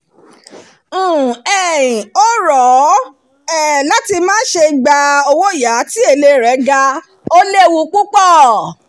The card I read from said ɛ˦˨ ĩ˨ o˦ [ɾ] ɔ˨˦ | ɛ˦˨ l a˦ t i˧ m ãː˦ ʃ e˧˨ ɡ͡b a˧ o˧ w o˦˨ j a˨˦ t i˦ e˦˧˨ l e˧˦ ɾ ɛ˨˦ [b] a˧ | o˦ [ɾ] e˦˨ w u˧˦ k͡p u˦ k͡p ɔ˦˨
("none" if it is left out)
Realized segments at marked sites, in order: ɾ, ɡ, l

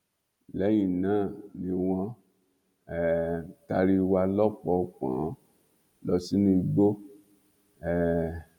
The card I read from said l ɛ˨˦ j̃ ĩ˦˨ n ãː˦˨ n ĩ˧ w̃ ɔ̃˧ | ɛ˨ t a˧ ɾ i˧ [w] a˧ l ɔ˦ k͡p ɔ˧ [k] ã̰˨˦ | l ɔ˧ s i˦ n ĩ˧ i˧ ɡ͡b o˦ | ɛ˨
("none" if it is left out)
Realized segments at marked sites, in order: w, k͡p

